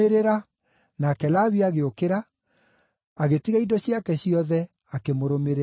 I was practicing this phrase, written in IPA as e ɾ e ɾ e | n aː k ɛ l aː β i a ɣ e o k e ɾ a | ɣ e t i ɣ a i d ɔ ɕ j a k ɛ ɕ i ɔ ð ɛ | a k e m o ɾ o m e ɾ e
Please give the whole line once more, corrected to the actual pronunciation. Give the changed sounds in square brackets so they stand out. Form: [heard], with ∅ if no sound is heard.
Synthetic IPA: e ɾ e ɾ [a] | n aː k ɛ l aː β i a ɣ e o k e ɾ a | ɣ e t i ɣ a i d ɔ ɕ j a k ɛ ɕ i ɔ ð ɛ | a k e m o ɾ o m e ɾ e

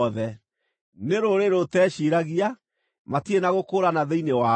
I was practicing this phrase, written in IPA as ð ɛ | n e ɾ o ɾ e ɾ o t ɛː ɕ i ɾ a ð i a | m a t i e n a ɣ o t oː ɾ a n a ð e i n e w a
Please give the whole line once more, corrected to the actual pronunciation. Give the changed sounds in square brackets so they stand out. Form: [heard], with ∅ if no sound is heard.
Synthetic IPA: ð ɛ | n e ɾ o ɾ e ɾ o t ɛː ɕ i ɾ a [ɣ] i a | m a t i e n a ɣ o [k] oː ɾ a n a ð e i n e w a

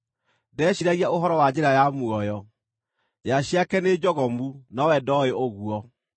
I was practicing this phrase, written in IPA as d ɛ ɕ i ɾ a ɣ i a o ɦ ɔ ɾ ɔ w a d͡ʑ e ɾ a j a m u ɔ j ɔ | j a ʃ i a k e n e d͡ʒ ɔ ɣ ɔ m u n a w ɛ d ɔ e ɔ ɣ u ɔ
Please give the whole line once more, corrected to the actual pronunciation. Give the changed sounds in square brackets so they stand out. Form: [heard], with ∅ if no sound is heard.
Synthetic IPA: d ɛ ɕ i ɾ a ɣ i a o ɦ ɔ ɾ ɔ w a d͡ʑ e ɾ a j a m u ɔ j ɔ | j a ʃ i a k [ɛ] n e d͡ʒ ɔ ɣ ɔ m u n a w ɛ d ɔ e [o] ɣ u ɔ

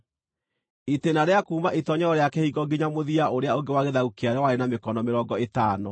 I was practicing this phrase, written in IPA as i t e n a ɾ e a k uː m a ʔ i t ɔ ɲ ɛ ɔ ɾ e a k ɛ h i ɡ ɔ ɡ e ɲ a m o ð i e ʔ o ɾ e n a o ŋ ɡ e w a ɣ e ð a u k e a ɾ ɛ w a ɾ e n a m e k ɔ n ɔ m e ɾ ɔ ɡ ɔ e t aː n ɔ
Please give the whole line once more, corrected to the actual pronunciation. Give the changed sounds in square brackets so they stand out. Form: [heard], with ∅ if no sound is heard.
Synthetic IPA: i t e n a ɾ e a k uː m a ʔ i t ɔ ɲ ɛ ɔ ɾ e a k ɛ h i ɡ ɔ ɡ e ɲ a m o ð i [a] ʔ o ɾ e [∅] a o ŋ ɡ e w a ɣ e ð a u k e a ɾ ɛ w a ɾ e n a m e k ɔ n ɔ m e ɾ ɔ ɡ ɔ e t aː n ɔ

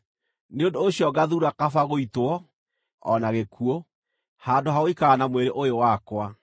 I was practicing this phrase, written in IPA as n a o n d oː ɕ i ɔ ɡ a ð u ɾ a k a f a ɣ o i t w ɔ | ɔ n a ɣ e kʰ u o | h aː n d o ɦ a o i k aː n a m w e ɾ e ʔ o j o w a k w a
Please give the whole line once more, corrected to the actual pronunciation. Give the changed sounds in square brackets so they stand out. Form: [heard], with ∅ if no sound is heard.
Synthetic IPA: n [e] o n d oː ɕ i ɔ ɡ a ð u ɾ a k a f a ɣ o i t w ɔ | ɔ n a ɣ e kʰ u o | h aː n d o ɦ a o i k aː n a m w e ɾ e ʔ o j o w a k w a

